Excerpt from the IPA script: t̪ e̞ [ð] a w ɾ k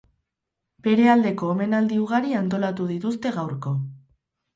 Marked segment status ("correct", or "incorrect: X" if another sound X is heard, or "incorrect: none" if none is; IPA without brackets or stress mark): incorrect: ɣ